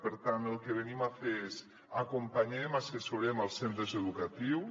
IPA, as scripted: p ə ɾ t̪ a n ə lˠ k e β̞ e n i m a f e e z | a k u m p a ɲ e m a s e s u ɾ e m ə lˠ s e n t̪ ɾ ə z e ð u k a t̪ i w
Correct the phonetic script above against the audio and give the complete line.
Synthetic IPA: p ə ɾ t̪ a n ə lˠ k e β̞ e n i m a f e e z | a k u m p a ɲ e m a s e s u ɾ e m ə lˠ s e n t̪ ɾ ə z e ð u k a t̪ i w